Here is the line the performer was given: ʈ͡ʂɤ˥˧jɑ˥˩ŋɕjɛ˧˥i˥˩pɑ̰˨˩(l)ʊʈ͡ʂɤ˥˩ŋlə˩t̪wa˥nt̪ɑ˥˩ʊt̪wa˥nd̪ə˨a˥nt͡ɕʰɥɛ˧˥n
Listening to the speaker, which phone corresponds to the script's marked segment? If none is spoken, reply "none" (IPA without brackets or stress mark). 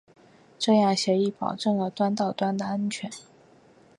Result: none